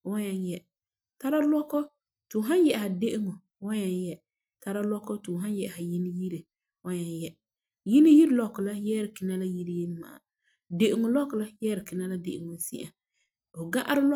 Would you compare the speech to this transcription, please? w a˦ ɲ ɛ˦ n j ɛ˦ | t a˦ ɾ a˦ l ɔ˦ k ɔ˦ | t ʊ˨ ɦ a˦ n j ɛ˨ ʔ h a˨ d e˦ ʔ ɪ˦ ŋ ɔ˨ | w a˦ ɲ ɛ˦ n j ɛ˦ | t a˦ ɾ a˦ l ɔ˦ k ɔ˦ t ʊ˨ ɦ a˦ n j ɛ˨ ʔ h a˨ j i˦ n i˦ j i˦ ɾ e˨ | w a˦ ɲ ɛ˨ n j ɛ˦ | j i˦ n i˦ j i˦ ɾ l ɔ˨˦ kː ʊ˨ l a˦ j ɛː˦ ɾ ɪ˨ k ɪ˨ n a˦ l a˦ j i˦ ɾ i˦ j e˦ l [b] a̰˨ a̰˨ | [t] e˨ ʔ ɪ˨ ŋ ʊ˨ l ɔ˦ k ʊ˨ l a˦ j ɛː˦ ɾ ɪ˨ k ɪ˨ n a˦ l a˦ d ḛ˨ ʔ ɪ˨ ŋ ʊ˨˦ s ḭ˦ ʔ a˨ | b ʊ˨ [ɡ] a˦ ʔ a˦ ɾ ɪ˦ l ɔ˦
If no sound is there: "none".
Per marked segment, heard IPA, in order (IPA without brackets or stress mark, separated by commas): m, d, ɡ